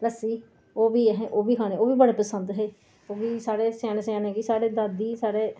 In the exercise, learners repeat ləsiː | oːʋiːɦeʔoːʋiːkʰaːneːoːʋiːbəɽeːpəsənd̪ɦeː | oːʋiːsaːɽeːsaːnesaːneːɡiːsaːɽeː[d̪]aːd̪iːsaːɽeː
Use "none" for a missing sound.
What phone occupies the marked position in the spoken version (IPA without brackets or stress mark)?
d̪